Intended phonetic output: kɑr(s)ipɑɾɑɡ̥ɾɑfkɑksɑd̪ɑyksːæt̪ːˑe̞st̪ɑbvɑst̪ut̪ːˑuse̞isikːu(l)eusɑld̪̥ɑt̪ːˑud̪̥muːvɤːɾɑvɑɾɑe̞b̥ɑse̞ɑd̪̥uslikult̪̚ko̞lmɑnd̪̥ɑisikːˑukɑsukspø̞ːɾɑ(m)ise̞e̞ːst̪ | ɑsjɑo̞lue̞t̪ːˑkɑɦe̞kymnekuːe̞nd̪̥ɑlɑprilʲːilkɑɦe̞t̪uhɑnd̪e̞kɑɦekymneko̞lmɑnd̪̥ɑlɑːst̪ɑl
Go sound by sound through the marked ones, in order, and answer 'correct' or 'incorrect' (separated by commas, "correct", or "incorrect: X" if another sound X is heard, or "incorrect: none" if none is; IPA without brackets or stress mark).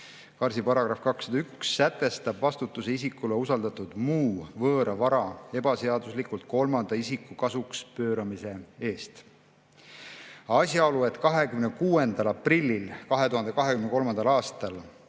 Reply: correct, correct, correct